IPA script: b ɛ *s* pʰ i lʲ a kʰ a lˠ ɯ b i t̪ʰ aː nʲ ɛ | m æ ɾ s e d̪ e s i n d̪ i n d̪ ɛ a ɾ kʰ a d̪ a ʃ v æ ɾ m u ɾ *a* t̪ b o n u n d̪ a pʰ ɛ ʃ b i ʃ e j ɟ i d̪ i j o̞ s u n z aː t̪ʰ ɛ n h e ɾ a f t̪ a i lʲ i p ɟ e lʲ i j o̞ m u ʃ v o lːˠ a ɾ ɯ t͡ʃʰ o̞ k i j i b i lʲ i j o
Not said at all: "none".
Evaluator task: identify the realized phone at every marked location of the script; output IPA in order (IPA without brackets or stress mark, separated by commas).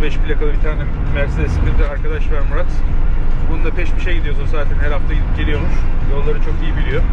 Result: ʃ, a